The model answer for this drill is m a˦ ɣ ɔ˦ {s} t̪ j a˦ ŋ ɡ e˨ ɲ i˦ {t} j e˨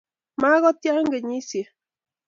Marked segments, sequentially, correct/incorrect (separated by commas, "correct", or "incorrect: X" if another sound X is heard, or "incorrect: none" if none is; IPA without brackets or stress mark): incorrect: none, incorrect: s